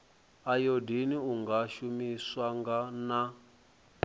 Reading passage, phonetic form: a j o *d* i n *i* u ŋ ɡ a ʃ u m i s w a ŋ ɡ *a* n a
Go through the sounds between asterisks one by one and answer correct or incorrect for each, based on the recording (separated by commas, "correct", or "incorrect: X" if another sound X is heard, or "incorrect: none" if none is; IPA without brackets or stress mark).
correct, correct, correct